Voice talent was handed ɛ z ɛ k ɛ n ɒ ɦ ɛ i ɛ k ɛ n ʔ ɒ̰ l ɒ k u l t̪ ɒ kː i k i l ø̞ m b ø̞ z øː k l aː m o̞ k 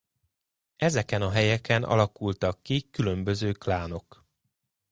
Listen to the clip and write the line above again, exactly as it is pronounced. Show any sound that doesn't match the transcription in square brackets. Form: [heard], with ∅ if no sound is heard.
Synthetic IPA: ɛ z ɛ k ɛ n ɒ ɦ ɛ [j] ɛ k ɛ n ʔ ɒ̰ l ɒ k u l t̪ ɒ kː i k [y] l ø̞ m b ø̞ z øː k l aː [n] o̞ k